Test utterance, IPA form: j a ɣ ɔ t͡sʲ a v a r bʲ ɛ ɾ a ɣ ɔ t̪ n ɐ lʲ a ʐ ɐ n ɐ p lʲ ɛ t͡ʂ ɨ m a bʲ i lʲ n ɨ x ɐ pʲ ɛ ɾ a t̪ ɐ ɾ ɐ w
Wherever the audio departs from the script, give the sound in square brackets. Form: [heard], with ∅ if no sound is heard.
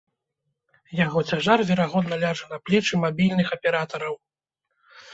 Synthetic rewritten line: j a ɣ ɔ t͡sʲ a [ʐ] a r [vʲ] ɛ ɾ a ɣ ɔ [d̪] n ɐ lʲ a ʐ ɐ n ɐ p lʲ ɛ t͡ʂ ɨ m a bʲ i lʲ n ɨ x ɐ pʲ ɛ ɾ a t̪ ɐ ɾ ɐ w